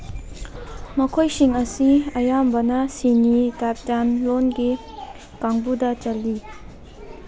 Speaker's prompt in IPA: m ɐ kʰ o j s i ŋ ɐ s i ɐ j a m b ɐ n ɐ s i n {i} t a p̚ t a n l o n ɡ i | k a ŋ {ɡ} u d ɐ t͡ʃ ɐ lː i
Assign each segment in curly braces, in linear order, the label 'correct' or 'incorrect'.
correct, incorrect

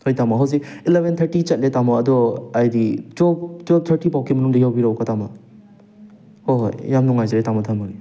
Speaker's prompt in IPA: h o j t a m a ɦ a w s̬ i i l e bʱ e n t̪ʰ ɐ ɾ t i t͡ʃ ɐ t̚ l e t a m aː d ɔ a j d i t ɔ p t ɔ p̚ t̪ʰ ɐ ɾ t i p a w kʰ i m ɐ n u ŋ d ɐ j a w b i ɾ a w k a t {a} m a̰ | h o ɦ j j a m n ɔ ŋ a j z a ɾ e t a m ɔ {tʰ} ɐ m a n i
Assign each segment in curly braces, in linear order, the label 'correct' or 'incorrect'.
correct, correct

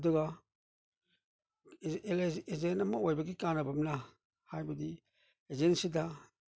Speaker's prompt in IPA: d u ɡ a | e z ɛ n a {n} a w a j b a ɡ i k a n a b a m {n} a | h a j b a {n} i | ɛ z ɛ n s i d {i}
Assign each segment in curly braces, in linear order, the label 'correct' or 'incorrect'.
incorrect, correct, incorrect, incorrect

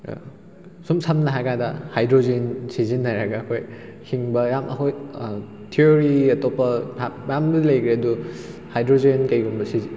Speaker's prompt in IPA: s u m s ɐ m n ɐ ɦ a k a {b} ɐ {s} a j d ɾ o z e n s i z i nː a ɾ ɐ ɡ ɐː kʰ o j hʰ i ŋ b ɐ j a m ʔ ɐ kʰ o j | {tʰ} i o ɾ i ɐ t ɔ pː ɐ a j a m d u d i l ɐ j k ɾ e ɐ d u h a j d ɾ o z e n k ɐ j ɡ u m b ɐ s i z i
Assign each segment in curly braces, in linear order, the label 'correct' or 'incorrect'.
incorrect, incorrect, correct

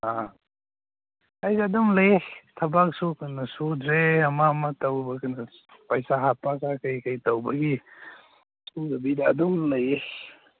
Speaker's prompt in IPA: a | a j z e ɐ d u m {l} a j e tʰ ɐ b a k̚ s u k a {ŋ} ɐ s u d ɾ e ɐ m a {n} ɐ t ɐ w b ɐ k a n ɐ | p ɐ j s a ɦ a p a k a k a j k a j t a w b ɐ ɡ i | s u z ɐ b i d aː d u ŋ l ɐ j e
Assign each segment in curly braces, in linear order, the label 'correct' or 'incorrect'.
correct, incorrect, incorrect

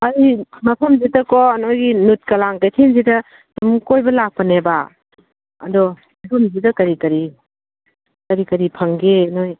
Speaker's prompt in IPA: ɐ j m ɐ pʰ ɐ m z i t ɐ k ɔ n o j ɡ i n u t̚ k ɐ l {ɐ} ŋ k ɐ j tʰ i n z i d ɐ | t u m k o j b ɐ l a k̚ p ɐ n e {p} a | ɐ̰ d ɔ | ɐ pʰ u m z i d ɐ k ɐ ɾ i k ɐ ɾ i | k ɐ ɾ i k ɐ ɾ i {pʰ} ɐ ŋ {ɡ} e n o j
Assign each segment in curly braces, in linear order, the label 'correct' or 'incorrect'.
incorrect, incorrect, correct, correct

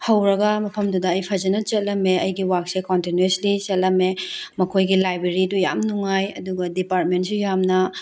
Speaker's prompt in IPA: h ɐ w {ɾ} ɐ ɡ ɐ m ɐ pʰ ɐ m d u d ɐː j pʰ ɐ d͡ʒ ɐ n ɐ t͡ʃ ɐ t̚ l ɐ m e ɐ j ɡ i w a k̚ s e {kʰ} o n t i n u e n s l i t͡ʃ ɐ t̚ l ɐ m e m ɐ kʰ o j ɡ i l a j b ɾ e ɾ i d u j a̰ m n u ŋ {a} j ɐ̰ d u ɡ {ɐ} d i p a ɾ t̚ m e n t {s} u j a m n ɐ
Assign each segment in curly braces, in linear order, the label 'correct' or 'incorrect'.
correct, incorrect, correct, correct, correct

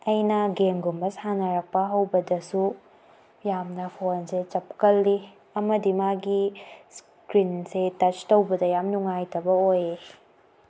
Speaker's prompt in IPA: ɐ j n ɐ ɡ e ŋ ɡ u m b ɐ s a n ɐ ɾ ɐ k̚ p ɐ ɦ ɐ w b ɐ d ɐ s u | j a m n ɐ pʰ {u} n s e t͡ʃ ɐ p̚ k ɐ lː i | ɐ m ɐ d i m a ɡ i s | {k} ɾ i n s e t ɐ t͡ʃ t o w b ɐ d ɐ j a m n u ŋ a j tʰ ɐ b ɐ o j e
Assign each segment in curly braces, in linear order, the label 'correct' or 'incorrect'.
incorrect, correct

